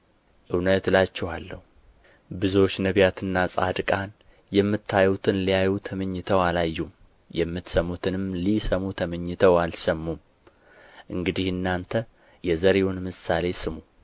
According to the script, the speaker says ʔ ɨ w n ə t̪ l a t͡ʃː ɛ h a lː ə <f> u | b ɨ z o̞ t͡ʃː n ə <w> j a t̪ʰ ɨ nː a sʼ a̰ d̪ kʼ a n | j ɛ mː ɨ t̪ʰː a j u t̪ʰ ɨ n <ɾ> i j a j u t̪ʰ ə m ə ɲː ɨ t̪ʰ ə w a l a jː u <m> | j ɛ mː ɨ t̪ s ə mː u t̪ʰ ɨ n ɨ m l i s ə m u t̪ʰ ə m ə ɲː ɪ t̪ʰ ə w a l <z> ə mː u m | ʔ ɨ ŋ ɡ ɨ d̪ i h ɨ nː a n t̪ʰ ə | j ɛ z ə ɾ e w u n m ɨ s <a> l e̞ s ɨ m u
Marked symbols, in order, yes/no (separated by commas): no, no, no, yes, no, yes